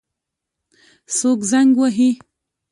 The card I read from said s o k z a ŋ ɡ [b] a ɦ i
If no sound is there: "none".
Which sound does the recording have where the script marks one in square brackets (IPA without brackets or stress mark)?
w